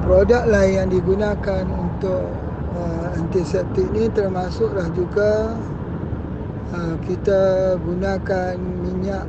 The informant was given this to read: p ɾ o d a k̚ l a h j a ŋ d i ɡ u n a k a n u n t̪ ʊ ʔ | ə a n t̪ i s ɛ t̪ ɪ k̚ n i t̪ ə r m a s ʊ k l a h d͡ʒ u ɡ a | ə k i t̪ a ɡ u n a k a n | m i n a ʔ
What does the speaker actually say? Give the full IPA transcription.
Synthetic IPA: p ɾ o d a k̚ l a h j a ŋ d i ɡ u n a k a n u n t̪ ʊ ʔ | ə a n t̪ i s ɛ t̪ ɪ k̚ n i t̪ ə r m a s ʊ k l a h d͡ʒ u ɡ a | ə k i t̪ a ɡ u n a k a n | m i ɲ a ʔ